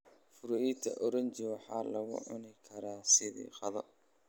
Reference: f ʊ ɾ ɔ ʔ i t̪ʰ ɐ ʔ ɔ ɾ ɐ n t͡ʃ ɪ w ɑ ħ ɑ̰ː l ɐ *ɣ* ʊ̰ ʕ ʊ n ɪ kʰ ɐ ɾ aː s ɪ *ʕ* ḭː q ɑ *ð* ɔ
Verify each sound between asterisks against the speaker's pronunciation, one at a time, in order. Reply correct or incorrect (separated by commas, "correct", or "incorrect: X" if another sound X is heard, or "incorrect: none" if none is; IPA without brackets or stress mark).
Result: correct, incorrect: ð, correct